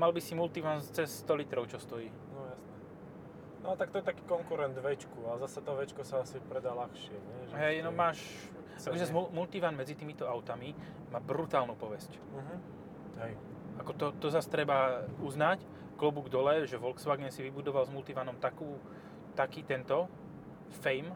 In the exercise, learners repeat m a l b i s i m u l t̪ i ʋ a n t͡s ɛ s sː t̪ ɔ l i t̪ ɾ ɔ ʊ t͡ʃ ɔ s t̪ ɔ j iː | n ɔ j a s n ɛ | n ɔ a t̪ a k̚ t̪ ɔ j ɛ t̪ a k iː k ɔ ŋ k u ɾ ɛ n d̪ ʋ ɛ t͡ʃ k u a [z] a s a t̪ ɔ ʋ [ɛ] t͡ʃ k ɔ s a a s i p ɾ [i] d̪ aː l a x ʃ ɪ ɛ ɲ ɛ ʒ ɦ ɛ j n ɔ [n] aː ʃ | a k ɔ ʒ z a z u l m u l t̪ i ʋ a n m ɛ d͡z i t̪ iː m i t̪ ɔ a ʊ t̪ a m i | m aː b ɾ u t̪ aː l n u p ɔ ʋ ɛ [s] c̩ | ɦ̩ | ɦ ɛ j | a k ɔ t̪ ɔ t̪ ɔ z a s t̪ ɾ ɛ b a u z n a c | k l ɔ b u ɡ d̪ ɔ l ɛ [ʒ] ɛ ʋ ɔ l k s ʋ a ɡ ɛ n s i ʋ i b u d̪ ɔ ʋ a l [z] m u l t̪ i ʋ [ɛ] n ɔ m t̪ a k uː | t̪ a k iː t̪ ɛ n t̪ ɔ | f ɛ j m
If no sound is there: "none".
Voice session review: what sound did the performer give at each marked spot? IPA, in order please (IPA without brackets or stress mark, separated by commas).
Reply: z, ɛ, ɛ, m, s, ʒ, z, a